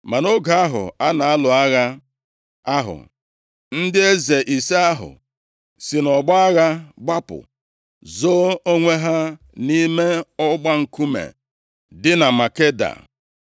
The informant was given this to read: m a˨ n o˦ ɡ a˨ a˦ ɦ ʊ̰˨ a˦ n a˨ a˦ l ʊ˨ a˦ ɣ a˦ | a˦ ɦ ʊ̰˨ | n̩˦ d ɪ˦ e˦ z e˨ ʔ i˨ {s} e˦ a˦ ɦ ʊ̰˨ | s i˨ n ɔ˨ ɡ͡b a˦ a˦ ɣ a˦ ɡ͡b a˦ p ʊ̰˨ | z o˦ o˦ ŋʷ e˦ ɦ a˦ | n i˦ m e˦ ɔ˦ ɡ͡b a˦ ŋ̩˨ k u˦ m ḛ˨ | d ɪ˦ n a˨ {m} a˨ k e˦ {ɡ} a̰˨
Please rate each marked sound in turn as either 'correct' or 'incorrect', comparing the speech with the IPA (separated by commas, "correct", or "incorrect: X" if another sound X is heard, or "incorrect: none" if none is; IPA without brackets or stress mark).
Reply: correct, correct, incorrect: d